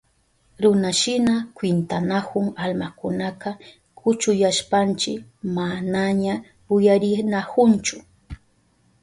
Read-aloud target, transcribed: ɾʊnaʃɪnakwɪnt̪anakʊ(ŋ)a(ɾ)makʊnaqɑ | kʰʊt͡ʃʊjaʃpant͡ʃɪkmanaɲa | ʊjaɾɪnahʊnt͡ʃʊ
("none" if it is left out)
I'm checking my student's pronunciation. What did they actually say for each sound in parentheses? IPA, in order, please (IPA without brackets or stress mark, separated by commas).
ŋ, l